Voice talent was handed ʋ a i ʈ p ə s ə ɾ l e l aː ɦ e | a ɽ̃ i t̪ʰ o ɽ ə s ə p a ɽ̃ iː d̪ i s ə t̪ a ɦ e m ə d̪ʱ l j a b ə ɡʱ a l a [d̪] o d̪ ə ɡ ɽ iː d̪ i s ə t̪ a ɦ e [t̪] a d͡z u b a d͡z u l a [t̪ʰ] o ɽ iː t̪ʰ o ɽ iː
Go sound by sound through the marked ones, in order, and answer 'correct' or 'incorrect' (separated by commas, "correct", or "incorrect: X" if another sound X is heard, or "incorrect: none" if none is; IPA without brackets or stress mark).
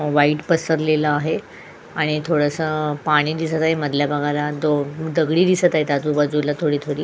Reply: correct, correct, correct